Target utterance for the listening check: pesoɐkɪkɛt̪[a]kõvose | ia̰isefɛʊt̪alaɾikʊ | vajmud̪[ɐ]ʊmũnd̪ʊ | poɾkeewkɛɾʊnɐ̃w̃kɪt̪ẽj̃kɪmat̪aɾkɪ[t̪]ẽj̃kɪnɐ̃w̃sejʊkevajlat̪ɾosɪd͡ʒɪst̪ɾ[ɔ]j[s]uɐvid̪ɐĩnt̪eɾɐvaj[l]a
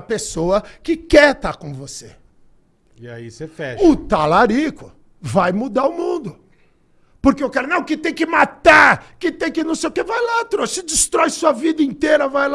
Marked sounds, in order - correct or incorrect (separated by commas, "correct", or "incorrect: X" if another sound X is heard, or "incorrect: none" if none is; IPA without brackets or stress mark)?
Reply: correct, incorrect: a, correct, correct, correct, correct